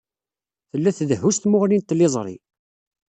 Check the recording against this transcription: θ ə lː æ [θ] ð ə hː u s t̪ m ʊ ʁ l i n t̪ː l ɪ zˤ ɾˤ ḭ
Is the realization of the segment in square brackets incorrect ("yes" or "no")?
no